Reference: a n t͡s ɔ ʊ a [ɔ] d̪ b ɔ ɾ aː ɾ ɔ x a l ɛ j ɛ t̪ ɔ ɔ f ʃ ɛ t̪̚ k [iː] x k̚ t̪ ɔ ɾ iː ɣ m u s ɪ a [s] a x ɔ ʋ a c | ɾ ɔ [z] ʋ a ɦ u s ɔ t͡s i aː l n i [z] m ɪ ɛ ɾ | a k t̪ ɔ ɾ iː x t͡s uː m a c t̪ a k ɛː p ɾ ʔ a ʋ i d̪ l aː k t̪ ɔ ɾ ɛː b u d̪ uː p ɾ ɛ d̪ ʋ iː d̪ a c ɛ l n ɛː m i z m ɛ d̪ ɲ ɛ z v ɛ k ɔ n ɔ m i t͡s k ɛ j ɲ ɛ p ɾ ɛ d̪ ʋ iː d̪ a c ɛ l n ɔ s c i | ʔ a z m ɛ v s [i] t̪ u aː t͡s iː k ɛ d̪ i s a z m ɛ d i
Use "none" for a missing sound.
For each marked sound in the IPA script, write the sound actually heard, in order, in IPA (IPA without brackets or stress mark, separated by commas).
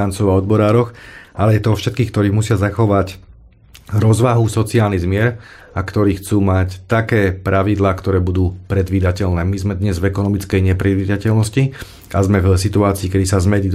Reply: ɔ, iː, z, z, z, i